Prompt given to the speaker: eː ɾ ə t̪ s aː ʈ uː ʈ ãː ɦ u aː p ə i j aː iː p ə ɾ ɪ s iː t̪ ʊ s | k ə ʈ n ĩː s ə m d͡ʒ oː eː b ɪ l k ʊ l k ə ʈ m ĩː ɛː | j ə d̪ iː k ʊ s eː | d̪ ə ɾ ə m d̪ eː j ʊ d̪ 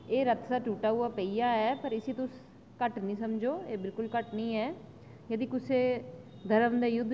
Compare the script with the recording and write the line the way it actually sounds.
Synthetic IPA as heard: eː ɾ ə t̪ s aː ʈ uː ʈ aː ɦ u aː p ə i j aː ɛː p ə ɾ ɪ s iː t̪ ʊ s | k ə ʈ n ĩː s ə m d͡ʒ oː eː b ɪ l k ʊ l k ə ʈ n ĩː ɛː | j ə d̪ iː k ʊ s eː | d̪ ə ɾ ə m d̪ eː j ʊ d̪